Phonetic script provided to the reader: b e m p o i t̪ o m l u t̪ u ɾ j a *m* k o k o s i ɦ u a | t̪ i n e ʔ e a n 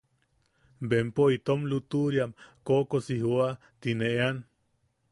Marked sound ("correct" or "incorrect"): correct